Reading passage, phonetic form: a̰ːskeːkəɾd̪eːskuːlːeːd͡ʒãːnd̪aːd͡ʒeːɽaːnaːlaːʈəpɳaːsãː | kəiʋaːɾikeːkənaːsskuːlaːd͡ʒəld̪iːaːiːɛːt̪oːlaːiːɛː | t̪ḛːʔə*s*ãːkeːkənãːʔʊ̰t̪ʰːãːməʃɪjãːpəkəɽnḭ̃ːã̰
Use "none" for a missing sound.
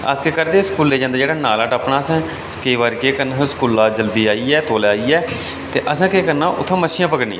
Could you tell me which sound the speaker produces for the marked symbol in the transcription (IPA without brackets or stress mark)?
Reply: s